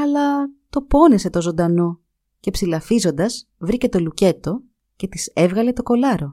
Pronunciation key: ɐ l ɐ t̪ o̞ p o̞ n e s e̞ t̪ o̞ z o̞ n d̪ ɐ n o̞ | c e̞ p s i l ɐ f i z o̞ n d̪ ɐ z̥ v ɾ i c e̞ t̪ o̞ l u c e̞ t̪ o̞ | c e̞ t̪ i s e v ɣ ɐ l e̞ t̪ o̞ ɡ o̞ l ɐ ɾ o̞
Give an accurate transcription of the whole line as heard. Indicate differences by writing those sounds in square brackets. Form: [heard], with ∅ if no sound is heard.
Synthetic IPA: ɐ l ɐ t̪ o̞ p o̞ n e s e̞ t̪ o̞ z o̞ n d̪ ɐ n o̞ | c e̞ p s i l ɐ f i z o̞ n d̪ ɐ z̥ v ɾ i c e̞ t̪ o̞ l u c e̞ t̪ o̞ | c e̞ t̪ i s e v ɣ ɐ l e̞ t̪ o̞ [k] o̞ l ɐ ɾ o̞